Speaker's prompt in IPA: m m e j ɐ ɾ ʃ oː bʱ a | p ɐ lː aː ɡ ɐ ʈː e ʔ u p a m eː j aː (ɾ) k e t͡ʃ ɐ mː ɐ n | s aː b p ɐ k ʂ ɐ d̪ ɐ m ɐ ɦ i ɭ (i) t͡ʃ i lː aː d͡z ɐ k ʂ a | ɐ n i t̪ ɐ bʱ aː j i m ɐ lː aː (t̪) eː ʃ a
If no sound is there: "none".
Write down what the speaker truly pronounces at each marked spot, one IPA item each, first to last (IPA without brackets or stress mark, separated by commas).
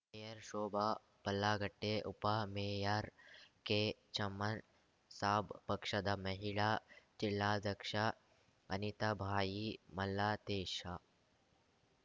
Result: ɾ, a, t̪